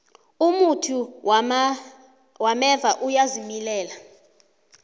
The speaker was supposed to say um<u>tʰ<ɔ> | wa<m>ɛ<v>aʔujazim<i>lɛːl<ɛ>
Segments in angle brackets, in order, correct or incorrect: correct, incorrect, correct, correct, correct, incorrect

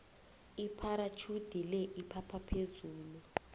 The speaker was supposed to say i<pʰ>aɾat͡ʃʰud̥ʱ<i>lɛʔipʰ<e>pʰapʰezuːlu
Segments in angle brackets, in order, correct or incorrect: correct, correct, incorrect

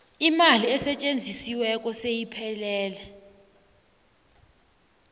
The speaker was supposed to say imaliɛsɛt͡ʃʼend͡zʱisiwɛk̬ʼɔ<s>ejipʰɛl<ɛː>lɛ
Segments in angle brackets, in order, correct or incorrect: correct, correct

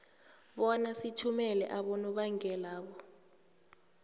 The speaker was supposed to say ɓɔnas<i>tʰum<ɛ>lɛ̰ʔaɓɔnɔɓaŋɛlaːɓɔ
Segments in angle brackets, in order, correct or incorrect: correct, correct

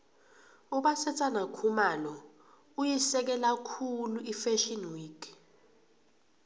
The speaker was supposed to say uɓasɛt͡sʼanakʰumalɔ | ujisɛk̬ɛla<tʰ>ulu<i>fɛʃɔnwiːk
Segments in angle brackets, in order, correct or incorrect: incorrect, correct

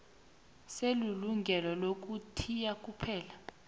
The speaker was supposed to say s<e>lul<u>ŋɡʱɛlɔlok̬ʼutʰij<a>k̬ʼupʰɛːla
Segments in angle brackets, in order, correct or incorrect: correct, correct, correct

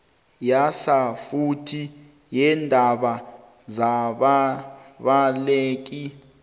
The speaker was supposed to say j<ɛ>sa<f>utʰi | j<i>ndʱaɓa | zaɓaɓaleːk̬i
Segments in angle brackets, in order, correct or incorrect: incorrect, correct, incorrect

